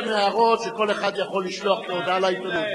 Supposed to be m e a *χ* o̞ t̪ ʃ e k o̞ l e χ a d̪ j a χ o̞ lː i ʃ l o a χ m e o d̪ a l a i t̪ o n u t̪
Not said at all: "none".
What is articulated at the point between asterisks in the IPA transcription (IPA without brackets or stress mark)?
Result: ʁ